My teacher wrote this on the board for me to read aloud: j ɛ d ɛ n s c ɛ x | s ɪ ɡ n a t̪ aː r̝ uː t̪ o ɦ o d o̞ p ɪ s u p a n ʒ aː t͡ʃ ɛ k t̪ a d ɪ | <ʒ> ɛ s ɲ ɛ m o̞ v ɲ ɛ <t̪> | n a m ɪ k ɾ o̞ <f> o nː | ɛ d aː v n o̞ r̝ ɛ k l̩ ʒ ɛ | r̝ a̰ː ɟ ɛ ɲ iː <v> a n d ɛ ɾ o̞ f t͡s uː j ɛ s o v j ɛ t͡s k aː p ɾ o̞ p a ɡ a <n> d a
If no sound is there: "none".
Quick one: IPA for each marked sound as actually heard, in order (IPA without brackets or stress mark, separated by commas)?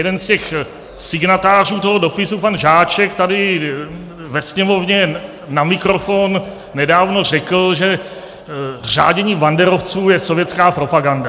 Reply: v, none, f, v, n